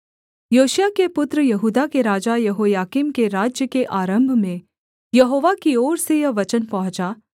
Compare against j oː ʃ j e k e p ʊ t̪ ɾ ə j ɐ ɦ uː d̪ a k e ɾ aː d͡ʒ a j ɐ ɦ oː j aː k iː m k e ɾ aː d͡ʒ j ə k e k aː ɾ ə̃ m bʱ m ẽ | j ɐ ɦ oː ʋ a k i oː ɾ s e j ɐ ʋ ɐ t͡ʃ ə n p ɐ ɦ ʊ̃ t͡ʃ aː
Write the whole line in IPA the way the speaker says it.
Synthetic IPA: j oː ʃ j a k e p ʊ t̪ ɾ ə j ɐ ɦ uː d̪ a k e ɾ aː d͡ʒ a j ɐ ɦ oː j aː k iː m k e ɾ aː d͡ʒ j ə k e ʔ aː ɾ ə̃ m bʱ m ẽ | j ɐ ɦ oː ʋ a k i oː ɾ s e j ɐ ʋ ɐ t͡ʃ ə n p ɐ ɦ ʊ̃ t͡ʃ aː